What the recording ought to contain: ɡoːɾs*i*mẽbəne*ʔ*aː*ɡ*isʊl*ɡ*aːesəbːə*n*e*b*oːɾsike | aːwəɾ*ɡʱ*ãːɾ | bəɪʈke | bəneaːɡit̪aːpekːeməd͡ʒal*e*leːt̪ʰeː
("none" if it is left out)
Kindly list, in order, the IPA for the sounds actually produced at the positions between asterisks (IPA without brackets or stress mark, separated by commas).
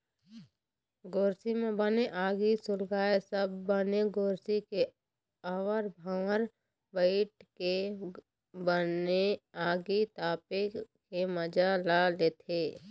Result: i, ʔ, ɡ, ɡ, n, ɡ, bʱ, a